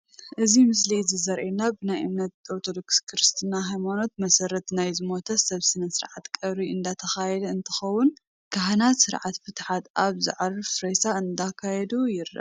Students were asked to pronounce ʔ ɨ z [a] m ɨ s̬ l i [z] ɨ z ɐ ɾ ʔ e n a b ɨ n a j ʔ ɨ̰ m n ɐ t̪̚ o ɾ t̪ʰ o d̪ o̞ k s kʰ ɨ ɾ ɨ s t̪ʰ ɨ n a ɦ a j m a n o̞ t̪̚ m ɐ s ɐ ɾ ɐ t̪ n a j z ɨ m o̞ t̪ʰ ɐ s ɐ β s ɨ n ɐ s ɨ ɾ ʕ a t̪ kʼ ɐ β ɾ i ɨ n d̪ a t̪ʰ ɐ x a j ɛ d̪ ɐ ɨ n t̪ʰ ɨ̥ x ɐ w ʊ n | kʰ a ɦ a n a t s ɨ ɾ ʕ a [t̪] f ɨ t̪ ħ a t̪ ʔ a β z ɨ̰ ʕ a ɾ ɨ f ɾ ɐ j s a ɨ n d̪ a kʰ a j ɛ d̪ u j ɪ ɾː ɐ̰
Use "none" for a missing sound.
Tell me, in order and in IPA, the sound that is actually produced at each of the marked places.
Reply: i, z, t̪

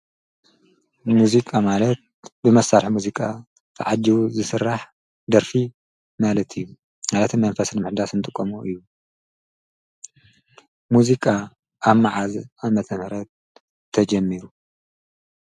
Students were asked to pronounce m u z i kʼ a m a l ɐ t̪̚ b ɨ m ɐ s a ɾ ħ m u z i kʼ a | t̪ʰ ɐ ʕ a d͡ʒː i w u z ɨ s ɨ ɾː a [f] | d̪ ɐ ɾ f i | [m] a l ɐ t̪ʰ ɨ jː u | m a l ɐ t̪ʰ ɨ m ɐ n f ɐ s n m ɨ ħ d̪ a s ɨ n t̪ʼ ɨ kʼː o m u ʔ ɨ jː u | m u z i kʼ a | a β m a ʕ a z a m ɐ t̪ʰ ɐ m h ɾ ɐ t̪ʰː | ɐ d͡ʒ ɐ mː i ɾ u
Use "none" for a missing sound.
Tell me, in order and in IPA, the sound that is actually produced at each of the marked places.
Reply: ħ, m

